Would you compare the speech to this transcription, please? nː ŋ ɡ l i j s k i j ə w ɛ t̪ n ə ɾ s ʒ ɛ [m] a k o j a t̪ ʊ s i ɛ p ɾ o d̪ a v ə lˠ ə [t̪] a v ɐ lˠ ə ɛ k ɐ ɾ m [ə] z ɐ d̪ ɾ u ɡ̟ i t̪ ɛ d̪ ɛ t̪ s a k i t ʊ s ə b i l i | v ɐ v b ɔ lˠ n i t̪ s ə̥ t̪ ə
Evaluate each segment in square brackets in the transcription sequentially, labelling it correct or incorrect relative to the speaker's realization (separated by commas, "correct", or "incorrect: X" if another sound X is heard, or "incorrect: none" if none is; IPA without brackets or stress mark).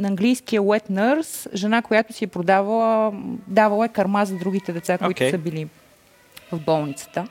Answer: incorrect: n, incorrect: d̪, incorrect: a